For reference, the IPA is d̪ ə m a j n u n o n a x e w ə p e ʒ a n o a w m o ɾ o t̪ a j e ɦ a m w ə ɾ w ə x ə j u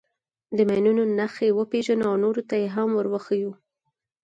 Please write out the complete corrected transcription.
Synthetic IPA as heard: d̪ ə m a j n u n o n a x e w ə p e ʒ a n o a w n o ɾ o t̪ a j e ɦ a m w ə ɾ w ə x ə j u